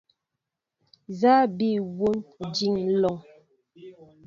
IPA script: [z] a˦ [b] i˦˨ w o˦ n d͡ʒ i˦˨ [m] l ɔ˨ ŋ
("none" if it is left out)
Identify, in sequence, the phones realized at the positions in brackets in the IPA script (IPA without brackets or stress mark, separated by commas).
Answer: z, b, ŋ